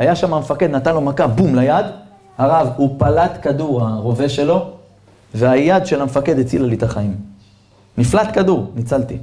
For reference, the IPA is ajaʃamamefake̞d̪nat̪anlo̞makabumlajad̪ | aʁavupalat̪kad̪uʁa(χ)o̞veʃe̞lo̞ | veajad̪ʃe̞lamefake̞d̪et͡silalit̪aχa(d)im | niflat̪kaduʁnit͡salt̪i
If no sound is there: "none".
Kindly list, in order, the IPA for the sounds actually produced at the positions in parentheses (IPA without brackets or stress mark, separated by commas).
ʁ, none